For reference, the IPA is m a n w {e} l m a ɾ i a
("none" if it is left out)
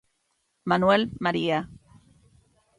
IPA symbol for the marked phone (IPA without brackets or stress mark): e